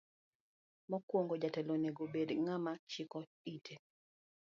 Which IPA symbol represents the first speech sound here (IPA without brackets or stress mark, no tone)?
m